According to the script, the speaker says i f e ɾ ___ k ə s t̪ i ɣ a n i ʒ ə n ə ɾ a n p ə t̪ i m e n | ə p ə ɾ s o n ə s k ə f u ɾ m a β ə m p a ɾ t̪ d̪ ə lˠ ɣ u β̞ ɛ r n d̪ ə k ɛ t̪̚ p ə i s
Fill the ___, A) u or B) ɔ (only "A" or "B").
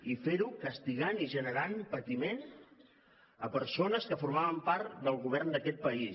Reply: A